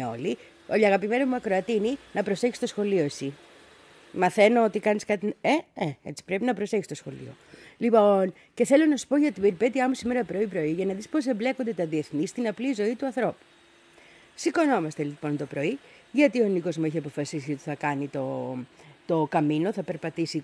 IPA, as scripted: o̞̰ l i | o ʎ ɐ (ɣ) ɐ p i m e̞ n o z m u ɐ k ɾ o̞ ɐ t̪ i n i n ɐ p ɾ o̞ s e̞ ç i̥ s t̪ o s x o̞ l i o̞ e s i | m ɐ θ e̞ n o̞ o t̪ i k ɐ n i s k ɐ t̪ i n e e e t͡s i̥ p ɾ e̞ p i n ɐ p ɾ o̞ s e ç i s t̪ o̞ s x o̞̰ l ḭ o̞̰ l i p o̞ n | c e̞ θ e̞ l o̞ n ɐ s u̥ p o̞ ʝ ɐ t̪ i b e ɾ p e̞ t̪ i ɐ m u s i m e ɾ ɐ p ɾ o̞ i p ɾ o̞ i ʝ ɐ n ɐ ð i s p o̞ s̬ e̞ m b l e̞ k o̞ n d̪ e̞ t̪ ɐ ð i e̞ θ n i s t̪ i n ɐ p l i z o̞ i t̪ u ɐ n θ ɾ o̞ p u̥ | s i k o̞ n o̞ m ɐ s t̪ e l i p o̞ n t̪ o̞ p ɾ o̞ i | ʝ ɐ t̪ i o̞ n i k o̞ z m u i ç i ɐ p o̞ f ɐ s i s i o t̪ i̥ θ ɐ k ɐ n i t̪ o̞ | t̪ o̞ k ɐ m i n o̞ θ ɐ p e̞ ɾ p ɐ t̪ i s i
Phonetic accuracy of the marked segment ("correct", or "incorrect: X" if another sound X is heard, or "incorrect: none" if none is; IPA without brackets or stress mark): correct